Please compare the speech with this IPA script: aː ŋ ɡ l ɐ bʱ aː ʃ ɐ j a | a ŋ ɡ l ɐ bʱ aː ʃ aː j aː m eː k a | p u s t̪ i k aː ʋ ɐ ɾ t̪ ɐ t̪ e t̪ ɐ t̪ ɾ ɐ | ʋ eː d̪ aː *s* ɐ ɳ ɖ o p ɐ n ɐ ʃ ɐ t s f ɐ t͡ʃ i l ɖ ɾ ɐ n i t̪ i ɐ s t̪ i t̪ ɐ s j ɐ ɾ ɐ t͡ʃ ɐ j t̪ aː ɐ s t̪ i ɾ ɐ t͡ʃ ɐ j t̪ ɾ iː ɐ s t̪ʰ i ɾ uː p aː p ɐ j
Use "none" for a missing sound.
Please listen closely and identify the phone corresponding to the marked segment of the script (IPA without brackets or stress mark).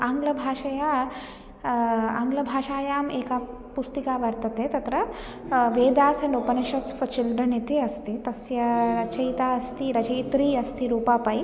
s